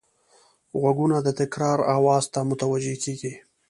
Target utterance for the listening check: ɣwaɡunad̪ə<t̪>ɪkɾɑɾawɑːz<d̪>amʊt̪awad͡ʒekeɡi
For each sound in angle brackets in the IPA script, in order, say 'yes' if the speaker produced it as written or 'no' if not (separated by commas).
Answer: yes, no